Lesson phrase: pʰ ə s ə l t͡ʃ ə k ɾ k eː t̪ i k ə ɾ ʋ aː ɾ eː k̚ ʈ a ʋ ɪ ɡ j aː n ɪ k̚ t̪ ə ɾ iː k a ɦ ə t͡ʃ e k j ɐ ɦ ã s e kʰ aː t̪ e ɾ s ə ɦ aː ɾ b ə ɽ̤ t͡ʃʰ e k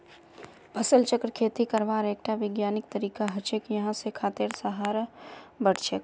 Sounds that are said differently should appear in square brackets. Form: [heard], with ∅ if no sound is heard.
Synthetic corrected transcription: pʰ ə s ə l t͡ʃ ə k ɾ [kʰ] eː t̪ i k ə ɾ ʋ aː ɾ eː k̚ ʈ a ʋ ɪ ɡ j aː n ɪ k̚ t̪ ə ɾ iː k a ɦ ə t͡ʃ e k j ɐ ɦ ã s e kʰ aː t̪ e ɾ s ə ɦ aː ɾ b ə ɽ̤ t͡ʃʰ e k